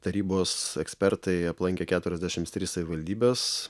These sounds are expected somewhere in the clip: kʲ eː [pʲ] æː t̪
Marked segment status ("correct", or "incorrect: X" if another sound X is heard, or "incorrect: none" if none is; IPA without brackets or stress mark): incorrect: kʲ